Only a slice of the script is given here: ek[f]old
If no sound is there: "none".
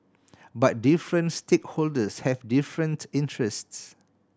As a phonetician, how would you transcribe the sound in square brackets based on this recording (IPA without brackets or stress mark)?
h